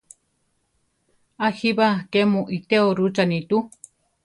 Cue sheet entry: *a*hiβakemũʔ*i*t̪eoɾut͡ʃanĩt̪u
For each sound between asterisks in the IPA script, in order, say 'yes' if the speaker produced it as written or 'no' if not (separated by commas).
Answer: yes, yes